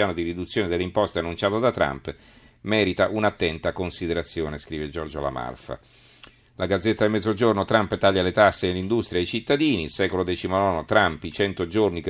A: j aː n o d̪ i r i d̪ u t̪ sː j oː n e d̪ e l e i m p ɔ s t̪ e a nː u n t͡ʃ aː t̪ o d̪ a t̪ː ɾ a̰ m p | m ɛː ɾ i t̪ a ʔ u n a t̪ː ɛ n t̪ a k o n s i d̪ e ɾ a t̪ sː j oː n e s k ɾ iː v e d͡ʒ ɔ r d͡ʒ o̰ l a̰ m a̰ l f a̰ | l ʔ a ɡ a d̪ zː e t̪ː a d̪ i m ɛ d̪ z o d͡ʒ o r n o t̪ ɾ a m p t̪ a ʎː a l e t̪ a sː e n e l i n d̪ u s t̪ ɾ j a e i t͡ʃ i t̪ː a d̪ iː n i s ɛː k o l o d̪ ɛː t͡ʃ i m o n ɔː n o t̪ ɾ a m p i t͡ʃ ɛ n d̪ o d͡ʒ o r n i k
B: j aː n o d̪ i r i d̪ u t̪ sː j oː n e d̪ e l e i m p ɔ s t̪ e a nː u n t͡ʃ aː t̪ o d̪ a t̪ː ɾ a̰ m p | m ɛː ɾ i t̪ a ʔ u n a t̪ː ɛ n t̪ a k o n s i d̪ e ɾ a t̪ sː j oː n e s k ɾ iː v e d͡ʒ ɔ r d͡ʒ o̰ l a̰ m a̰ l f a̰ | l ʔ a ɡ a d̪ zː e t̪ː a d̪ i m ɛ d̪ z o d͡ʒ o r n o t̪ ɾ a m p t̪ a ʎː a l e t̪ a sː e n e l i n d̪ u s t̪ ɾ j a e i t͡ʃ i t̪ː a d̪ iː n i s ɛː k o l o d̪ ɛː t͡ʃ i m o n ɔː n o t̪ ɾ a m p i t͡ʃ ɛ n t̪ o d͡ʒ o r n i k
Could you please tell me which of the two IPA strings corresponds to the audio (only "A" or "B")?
B